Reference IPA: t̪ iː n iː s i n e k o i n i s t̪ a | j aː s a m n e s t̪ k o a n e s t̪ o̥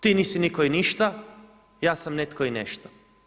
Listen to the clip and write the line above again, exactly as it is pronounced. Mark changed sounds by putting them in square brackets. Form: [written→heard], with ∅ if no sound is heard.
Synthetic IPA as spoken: t̪ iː n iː s i n [e→i] k o i n i [s→ʃ] t̪ a | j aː s a m n e [s→∅] t̪ k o [a→i] n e [s→ʃ] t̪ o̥

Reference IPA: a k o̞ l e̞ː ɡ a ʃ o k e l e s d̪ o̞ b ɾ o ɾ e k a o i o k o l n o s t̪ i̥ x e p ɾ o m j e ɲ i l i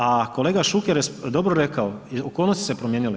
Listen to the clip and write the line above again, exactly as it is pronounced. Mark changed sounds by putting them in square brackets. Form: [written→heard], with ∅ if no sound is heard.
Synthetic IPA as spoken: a k o̞ l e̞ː ɡ a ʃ [o→u] k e [l→ɾ] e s d̪ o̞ b ɾ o ɾ e k a o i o k o l n o s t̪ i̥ [x→s] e p ɾ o m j e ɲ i l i

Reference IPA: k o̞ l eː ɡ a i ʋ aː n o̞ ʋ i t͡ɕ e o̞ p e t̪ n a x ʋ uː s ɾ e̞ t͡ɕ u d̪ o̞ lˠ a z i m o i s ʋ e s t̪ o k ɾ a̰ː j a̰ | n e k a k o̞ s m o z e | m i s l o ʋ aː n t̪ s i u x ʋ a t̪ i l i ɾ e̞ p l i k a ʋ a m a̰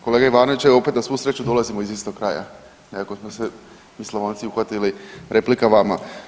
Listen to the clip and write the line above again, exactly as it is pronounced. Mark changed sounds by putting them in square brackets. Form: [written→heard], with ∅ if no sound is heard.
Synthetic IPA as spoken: k o̞ l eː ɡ a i ʋ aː n o̞ ʋ i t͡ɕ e o̞ p e t̪ n a [x→s] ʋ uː s ɾ e̞ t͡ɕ u d̪ o̞ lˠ a z i m o i [s→z] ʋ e s t̪ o k ɾ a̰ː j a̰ | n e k a k o̞ s m o [z→s] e | m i s l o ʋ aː n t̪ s i u x ʋ a t̪ i l i ɾ e̞ p l i k a ʋ a m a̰

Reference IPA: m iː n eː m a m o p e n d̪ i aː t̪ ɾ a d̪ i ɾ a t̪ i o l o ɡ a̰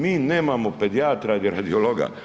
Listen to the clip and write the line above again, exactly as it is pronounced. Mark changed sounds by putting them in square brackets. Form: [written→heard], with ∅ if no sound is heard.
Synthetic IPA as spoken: m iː n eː m a m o p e [n→∅] d̪ i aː t̪ ɾ a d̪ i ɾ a [t̪→d̪] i o l o ɡ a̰

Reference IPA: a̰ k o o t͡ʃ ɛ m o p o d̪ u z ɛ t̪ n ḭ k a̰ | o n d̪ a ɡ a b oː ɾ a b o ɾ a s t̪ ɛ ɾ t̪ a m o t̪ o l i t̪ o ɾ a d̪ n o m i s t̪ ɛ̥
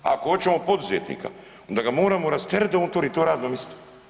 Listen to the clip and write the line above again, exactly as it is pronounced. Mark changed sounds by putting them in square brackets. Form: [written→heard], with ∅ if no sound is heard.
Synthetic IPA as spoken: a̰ k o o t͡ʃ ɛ m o p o d̪ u z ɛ t̪ n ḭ k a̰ | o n d̪ a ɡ a [b→m] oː ɾ a [b→m] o ɾ a s t̪ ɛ ɾ [t̪→d̪] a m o t̪ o [l→ɾ] i t̪ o ɾ a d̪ n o m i s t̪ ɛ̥

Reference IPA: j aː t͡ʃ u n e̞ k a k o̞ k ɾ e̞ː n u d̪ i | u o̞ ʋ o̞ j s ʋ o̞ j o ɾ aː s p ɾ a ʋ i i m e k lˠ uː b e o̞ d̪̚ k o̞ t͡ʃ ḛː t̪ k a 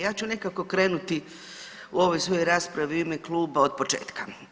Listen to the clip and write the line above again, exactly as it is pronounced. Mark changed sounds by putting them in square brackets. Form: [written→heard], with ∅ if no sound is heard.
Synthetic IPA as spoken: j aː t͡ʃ u n e̞ k a k o̞ k ɾ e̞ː n u [d̪→t̪] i | u o̞ ʋ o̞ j s ʋ o̞ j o ɾ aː s p ɾ a ʋ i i m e k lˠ uː b [e→a] o̞ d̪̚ [k→p] o̞ t͡ʃ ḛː t̪ k a

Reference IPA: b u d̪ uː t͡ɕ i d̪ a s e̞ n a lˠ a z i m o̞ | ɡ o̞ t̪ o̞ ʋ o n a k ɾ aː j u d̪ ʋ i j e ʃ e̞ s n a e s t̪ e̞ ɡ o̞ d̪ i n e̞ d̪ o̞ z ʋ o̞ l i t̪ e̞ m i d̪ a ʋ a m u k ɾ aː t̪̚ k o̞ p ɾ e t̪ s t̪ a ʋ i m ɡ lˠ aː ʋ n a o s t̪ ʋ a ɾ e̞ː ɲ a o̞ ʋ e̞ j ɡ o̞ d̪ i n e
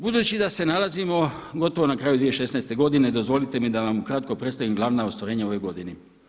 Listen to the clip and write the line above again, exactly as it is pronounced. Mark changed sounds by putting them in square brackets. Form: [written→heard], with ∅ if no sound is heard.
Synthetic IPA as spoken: b u d̪ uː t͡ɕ i d̪ a s e̞ n a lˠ a z i m o̞ | ɡ o̞ t̪ o̞ ʋ o n a k ɾ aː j u d̪ ʋ i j e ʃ e̞ s n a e s t̪ e̞ ɡ o̞ d̪ i n e̞ d̪ o̞ z ʋ o̞ l i t̪ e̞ m i d̪ a ʋ a m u k ɾ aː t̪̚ k o̞ p ɾ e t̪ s t̪ a ʋ i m ɡ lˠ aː ʋ n a o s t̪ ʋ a ɾ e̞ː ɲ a o̞ ʋ e̞ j ɡ o̞ d̪ i n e

